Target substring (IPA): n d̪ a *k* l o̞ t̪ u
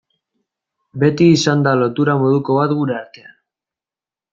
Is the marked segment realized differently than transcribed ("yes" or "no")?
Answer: yes